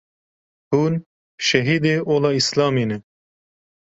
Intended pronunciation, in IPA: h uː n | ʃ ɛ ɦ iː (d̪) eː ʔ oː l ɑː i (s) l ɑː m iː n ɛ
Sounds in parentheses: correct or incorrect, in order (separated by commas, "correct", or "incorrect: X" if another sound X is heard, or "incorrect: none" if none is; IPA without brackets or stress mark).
correct, correct